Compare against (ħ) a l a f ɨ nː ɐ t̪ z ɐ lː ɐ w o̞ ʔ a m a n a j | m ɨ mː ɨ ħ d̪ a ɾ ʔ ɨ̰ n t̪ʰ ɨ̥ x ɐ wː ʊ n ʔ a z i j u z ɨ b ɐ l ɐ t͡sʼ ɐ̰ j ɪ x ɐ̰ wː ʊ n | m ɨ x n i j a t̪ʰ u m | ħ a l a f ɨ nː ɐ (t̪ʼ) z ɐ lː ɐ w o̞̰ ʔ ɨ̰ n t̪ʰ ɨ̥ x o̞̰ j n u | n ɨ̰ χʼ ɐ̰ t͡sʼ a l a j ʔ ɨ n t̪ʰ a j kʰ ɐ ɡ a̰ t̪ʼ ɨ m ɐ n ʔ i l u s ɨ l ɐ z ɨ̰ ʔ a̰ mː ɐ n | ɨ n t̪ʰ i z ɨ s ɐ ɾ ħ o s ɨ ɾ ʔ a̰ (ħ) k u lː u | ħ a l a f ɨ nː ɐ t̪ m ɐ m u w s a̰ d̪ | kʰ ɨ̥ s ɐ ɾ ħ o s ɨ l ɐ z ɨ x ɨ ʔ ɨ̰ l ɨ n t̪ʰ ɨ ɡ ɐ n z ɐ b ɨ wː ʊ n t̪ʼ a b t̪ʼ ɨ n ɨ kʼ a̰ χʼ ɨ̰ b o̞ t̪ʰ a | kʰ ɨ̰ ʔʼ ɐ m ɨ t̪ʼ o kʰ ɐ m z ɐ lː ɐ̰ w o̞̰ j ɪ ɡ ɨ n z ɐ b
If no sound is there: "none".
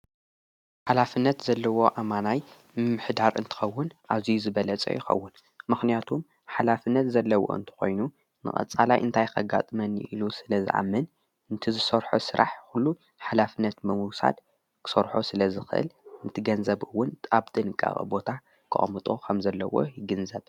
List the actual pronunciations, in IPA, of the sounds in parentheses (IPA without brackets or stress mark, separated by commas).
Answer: ħ, t̪, ħ